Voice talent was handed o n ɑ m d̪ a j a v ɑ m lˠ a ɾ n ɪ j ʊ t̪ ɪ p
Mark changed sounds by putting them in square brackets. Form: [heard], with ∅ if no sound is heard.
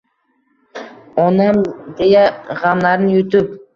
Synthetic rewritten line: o n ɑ m d̪ [e] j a [ʁ] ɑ m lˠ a ɾ n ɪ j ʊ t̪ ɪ p